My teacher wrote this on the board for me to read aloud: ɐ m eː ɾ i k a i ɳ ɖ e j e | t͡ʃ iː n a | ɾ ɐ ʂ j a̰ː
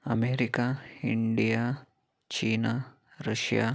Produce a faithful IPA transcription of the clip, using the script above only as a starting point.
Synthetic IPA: ɐ m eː ɾ i k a i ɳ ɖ i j a | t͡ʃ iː n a | ɾ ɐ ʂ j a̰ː